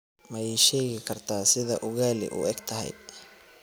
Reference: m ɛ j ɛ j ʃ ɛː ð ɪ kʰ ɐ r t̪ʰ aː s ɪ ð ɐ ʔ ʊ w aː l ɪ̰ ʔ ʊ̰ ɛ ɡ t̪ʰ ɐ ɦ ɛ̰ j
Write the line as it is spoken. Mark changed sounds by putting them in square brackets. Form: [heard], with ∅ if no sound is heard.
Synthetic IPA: m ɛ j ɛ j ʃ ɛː [ɣ] ɪ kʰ ɐ r t̪ʰ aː s ɪ ð ɐ ʔ ʊ [ɣ] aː l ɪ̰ ʔ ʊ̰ ɛ ɡ t̪ʰ ɐ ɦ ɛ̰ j